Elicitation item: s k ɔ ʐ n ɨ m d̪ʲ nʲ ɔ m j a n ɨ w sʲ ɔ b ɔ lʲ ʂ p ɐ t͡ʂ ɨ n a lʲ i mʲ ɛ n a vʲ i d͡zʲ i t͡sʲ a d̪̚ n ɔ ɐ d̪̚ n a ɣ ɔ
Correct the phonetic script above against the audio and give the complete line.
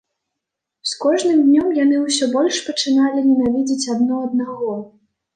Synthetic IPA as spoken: s k ɔ ʐ n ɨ m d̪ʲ nʲ ɔ m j a n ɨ w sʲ ɔ b ɔ lʲ ʂ p ɐ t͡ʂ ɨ n a lʲ i nʲ ɛ n a vʲ i d͡zʲ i t͡sʲ a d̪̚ n ɔ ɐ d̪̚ n a ɣ ɔ